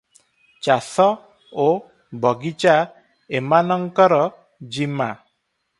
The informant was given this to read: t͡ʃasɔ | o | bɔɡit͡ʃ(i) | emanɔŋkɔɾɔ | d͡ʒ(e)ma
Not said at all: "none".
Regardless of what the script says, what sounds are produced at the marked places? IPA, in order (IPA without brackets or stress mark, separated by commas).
a, i